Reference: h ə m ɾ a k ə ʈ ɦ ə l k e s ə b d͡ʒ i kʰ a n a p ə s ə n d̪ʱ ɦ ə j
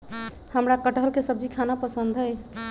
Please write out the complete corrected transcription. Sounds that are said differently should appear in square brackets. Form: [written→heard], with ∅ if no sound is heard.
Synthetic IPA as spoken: h ə m ɾ a k ə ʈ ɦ ə l k e s ə b d͡ʒ i kʰ a n a p ə s ə n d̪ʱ ɦ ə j